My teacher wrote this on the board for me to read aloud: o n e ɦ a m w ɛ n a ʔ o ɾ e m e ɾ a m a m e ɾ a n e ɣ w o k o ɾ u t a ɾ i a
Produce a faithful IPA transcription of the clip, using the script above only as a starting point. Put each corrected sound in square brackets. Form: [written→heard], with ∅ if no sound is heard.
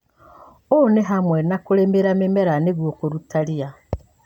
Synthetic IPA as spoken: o n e ɦ a m w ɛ n a [ʔ→k] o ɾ e m e ɾ a m [a→e] m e ɾ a n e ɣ w o k o ɾ u t a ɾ i a